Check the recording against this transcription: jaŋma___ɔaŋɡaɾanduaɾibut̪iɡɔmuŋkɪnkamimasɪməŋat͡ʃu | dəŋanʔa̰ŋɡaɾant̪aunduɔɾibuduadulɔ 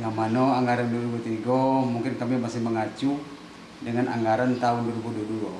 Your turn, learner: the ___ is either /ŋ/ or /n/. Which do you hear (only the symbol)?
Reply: n